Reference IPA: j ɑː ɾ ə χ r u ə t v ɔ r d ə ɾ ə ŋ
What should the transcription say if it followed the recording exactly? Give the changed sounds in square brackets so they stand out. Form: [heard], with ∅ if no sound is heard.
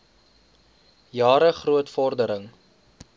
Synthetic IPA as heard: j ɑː ɾ ə χ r u ə t [f] ɔ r d ə ɾ ə ŋ